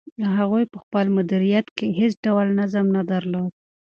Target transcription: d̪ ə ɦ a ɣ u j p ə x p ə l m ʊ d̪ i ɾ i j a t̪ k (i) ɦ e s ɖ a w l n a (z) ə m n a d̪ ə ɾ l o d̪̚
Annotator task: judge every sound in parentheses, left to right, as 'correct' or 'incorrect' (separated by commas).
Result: incorrect, correct